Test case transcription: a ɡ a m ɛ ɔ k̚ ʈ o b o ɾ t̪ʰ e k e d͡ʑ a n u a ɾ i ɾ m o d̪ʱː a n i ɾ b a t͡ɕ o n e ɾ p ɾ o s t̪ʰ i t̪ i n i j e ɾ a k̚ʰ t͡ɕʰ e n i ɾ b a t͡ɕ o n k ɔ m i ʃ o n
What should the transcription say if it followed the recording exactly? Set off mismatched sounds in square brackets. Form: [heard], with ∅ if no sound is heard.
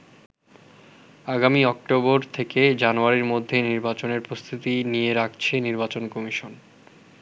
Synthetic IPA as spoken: a ɡ a m [i] ɔ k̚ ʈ o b o ɾ t̪ʰ e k e d͡ʑ a n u a ɾ i ɾ m o d̪ʱː [e] n i ɾ b a t͡ɕ o n e ɾ p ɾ o s t̪ʰ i t̪ i n i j e ɾ a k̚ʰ t͡ɕʰ e n i ɾ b a t͡ɕ o n k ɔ m i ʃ o n